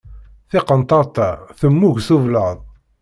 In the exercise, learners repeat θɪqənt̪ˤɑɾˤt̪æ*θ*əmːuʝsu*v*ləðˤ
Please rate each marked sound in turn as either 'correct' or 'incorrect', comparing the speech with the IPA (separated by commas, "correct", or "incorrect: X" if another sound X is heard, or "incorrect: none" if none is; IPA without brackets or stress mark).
correct, correct